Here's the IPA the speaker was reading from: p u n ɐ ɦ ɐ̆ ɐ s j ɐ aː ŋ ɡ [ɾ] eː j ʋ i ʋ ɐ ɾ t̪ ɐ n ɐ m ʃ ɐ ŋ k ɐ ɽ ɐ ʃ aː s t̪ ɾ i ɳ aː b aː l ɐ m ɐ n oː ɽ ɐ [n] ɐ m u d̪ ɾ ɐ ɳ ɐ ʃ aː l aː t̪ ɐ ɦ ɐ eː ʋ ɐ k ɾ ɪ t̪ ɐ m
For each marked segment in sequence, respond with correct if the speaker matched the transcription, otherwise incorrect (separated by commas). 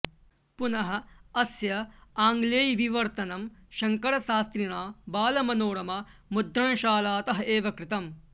incorrect, incorrect